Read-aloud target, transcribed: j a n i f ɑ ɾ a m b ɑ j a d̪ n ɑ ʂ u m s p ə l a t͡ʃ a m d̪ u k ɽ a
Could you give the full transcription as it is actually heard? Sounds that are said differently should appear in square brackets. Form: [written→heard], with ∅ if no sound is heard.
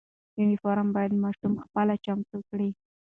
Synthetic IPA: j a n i f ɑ ɾ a m b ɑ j a d̪ [n→m] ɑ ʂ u m [s→x] p ə l a t͡ʃ a m [d̪→t̪] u k ɽ [a→i]